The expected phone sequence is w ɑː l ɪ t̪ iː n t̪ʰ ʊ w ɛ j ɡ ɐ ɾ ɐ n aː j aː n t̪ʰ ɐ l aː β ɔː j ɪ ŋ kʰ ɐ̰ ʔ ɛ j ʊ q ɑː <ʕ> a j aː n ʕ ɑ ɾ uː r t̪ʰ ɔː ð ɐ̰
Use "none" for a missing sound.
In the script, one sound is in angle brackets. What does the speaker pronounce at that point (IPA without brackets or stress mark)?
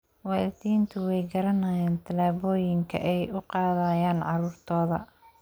ð